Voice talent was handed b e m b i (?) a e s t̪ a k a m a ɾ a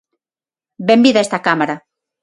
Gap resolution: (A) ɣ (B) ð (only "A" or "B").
B